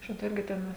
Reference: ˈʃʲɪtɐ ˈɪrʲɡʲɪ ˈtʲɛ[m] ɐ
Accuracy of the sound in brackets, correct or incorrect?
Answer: incorrect: n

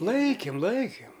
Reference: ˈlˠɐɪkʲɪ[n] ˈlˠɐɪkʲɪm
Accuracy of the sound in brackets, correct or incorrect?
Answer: incorrect: m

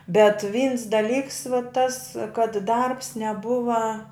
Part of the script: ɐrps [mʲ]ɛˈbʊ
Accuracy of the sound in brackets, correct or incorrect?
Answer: incorrect: nʲ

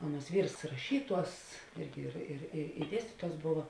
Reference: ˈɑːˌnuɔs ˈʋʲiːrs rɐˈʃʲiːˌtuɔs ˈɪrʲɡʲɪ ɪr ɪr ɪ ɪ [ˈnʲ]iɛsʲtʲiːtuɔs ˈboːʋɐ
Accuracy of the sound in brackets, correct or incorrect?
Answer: incorrect: dʲ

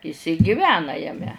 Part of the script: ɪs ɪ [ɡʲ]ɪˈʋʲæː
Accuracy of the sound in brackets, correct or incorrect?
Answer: correct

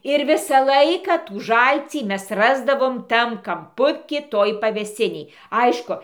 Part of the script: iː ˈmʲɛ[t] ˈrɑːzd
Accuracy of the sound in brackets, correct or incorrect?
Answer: incorrect: s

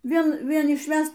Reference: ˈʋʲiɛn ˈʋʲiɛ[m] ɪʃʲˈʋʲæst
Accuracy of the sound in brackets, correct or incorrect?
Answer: incorrect: n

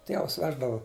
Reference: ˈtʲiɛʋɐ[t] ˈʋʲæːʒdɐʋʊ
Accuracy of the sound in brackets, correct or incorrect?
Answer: incorrect: s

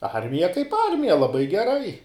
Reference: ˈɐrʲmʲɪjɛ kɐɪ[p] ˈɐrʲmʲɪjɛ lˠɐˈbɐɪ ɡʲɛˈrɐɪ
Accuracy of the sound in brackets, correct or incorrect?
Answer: correct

